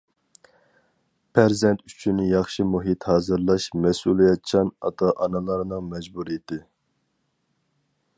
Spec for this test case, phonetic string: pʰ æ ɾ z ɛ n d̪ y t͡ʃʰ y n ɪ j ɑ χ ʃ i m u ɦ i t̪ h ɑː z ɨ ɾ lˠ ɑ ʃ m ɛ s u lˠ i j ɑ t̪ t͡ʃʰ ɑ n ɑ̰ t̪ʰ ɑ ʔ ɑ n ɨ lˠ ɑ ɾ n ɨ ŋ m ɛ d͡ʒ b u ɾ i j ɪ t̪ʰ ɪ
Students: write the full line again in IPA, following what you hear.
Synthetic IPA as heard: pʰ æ ɾ z ɛ n t̪ y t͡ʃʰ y n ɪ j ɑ χ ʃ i m u ɦ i t̪ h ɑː z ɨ ɾ lˠ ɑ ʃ m ɛ s u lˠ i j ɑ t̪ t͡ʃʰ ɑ n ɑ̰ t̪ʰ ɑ ʔ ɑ n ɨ lˠ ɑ ɾ n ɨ ŋ m ɛ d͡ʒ b u ɾ i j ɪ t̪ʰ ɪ

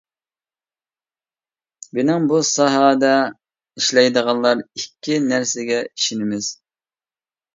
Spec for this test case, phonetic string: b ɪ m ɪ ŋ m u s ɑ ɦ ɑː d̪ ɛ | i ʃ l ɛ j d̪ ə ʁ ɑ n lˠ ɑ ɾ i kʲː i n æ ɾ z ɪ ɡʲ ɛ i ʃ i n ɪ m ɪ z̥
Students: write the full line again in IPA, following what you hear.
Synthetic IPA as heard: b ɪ n ɪ ŋ b u s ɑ ɦ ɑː d̪ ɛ | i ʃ l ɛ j d̪ ə ʁ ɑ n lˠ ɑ ɾ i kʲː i n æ ɾ s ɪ ɡʲ ɛ i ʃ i n ɪ m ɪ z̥

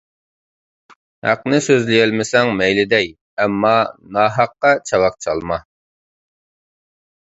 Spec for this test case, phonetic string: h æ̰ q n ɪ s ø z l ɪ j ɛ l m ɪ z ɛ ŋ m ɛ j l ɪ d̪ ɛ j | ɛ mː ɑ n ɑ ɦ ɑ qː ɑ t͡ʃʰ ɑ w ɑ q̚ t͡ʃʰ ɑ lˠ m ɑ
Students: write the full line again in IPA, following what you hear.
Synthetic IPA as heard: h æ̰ q n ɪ s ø z l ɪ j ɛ l m ɪ s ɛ ŋ m ɛ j l ɪ d̪ ɛ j | ɛ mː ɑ n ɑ ɦ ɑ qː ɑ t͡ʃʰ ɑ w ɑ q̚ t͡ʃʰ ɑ lˠ m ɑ

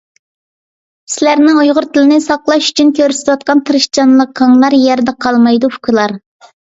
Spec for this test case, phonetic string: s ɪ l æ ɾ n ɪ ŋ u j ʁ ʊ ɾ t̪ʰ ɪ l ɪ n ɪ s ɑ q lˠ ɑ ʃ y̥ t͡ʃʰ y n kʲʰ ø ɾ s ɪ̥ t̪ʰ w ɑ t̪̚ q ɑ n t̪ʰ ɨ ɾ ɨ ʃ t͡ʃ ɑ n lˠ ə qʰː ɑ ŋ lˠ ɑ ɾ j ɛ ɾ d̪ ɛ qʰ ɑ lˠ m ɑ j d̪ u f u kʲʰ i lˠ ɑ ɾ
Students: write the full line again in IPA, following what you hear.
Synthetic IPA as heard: s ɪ l æ ɾ n ɪ ŋ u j ʁ ʊ ɾ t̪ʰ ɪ l ɪ n ɪ s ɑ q lˠ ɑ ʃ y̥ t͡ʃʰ y n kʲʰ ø ɾ s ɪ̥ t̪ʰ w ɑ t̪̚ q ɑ n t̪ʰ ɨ ɾ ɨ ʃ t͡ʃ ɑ n lˠ ə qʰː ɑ ŋ lˠ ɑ ɾ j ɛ ɾ d̪ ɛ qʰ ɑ lˠ m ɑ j d̪ u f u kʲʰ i lˠ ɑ ɾ

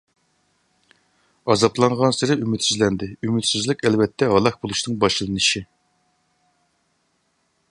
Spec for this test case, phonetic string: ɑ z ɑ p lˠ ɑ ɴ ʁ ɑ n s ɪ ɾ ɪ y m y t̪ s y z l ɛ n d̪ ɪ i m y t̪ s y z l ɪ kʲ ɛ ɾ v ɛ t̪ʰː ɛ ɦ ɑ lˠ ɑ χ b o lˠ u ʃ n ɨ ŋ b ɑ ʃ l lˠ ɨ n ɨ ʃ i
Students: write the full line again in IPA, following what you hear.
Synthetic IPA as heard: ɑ z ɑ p lˠ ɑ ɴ ʁ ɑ n s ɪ ɾ ɪ y m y t̪ s y z l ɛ n d̪ ɪ y m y t̪ s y z l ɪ kʲ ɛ l v ɛ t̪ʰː ɛ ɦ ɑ lˠ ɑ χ b o lˠ u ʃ n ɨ ŋ b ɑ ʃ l lˠ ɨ n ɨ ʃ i

